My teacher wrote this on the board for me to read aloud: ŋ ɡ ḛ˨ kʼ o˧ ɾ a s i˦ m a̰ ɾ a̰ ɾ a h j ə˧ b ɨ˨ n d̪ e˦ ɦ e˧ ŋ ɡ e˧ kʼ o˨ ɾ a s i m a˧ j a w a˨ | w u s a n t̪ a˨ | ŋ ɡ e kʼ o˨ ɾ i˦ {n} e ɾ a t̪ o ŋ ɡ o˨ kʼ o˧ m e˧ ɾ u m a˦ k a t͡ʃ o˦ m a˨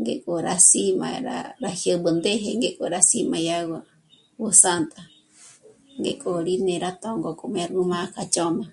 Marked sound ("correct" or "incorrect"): correct